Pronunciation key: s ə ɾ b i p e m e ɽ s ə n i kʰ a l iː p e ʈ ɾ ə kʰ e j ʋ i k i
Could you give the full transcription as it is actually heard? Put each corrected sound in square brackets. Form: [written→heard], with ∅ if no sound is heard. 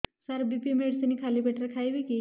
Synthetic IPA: s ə ɾ b i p [e→i] m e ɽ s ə n i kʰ a l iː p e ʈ ɾ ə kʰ [e→a] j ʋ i k i